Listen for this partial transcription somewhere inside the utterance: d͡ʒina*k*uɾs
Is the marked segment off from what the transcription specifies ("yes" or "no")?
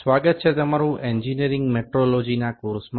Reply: no